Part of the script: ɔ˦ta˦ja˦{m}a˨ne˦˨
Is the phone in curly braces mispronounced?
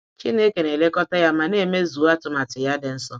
no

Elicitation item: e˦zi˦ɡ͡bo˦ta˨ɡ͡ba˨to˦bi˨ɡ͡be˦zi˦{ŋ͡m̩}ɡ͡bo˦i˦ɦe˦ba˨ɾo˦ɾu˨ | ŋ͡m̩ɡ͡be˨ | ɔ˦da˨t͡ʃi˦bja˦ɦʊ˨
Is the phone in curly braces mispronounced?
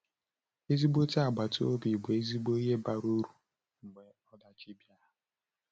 yes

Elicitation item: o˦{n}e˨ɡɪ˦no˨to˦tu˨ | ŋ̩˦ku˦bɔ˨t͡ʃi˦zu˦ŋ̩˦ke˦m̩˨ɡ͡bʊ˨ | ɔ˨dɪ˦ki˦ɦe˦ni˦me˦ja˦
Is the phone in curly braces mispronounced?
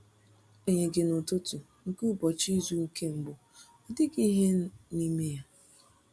yes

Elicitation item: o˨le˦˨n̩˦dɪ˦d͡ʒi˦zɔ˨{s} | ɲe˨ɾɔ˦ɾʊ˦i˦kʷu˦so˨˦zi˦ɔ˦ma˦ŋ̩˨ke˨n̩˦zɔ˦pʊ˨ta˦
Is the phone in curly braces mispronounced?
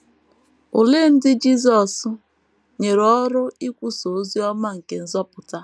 no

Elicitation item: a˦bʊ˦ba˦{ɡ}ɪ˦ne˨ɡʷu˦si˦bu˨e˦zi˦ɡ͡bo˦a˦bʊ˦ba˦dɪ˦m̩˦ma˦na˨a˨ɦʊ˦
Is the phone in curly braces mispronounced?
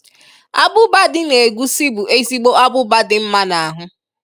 yes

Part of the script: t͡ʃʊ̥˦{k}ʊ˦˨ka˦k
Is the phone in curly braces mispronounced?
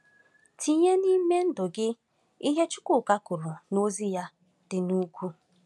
no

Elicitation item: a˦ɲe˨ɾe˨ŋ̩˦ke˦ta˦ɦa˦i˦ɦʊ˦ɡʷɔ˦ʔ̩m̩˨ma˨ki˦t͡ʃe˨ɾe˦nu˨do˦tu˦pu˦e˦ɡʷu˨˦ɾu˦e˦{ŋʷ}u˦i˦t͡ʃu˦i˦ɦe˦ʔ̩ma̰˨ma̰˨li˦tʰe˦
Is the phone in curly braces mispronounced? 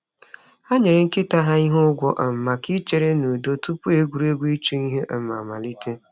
yes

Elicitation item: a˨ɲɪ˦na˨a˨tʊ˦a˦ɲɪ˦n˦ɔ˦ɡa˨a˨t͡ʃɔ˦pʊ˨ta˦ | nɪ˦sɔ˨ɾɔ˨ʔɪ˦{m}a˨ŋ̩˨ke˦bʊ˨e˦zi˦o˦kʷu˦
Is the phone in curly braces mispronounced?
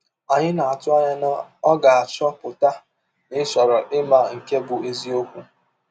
no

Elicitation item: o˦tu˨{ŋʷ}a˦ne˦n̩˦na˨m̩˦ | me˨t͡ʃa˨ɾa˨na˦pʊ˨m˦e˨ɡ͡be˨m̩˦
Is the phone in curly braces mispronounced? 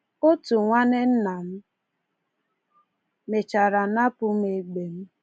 no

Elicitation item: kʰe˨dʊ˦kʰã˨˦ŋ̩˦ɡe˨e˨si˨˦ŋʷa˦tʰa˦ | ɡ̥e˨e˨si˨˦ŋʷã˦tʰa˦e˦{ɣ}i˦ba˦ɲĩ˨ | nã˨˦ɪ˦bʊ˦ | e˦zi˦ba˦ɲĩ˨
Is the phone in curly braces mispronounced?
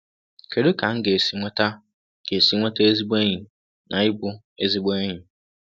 yes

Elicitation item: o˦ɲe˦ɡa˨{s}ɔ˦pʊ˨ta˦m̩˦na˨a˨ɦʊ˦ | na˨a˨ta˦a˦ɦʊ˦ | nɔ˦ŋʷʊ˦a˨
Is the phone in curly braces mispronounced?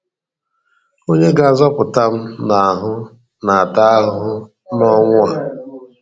yes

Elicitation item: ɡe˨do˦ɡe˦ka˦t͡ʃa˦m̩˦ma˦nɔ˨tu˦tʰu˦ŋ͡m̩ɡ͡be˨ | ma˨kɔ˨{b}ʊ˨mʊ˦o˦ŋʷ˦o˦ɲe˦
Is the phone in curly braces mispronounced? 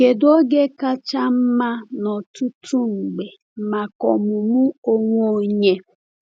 yes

